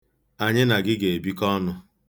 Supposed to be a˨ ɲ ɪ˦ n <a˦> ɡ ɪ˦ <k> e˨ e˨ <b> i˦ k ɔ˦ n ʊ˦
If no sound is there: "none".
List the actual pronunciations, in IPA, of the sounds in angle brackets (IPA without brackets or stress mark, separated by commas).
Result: a˨, ɡ, b